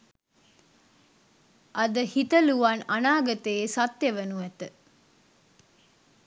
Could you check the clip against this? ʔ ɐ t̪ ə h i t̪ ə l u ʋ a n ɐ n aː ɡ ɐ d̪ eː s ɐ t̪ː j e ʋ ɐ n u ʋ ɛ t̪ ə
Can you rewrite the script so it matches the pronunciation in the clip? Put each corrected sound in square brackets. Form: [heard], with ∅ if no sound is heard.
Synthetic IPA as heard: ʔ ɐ [d̪] ə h i t̪ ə l u ʋ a n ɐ n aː ɡ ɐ [t̪] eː s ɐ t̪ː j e ʋ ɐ n u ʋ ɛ t̪ ə